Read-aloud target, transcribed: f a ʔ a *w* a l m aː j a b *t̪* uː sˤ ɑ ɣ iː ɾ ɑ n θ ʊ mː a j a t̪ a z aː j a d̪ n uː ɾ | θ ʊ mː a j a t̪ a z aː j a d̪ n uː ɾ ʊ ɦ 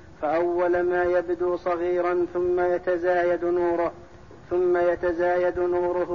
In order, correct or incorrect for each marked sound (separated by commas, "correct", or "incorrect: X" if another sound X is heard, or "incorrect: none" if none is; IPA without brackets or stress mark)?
incorrect: wː, incorrect: d̪